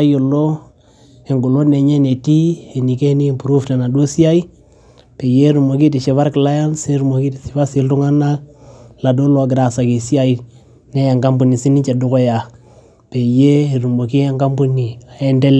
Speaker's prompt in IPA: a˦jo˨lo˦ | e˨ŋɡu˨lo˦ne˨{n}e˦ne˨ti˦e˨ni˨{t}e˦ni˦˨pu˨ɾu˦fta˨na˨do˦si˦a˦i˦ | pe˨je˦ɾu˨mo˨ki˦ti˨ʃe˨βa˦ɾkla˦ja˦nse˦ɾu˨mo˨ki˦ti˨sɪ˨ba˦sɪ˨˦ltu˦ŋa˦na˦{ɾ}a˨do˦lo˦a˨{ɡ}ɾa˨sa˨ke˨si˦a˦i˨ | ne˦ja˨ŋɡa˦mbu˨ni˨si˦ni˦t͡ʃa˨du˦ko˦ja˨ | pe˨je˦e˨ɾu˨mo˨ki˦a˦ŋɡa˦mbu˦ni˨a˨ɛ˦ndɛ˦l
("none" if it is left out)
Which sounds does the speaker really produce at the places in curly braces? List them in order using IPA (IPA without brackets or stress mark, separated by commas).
ɲ, k, l, ɡ